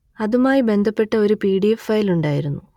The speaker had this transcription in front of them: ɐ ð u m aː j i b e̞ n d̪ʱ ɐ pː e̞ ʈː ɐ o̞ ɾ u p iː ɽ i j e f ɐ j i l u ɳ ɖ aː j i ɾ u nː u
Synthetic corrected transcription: ɐ ð u m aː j i b e̞ n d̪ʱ ɐ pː e̞ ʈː ɐ o̞ ɾ u p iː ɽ i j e f ɐ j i l u ɳ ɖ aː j i ɾ u nː u

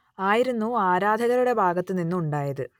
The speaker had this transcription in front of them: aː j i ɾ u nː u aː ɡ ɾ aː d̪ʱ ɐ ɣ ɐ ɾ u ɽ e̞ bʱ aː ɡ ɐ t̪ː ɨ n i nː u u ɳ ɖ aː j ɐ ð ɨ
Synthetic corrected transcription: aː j i ɾ u nː u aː ɾ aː d̪ʱ ɐ ɣ ɐ ɾ u ɽ e̞ bʱ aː ɡ ɐ t̪ː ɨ n i nː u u ɳ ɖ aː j ɐ ð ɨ

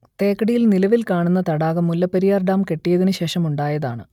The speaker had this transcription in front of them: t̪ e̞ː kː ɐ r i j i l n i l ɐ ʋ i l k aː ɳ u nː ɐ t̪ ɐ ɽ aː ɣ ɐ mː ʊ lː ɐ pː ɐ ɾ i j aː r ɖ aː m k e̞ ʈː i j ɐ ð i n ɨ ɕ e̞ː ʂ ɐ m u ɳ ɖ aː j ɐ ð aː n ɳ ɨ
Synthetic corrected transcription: t̪ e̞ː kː ɐ ɽ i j i l n i l ɐ ʋ i l k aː ɳ u nː ɐ t̪ ɐ ɽ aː ɣ ɐ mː u lː ɐ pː ɐ ɾ i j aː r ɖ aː m k e̞ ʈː i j ɐ ð i n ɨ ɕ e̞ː ʂ ɐ m u ɳ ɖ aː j ɐ ð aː ɳ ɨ

